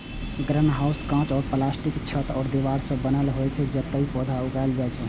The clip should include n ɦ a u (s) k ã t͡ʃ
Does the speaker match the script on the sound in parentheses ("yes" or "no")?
yes